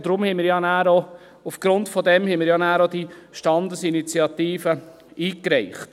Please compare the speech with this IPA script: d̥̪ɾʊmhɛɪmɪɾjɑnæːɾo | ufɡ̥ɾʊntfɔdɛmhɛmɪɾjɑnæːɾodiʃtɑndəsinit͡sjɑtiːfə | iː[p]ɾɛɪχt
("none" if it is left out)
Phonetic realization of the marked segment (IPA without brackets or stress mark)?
k